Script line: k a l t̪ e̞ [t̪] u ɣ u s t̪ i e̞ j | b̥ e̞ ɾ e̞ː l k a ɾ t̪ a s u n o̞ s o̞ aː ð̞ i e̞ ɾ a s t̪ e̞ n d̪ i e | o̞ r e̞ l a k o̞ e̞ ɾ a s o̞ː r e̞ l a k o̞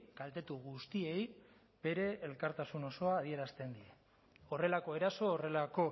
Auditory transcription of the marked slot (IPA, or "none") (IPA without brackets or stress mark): t̪